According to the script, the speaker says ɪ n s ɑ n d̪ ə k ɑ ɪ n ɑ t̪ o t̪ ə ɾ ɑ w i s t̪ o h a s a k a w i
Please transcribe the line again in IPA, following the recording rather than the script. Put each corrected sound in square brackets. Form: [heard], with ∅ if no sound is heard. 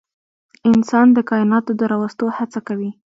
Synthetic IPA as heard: ɪ n s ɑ n d̪ ə k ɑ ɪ n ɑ t̪ o [d̪] ə ɾ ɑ w [a] s t̪ o h a [t͡s] a k a w i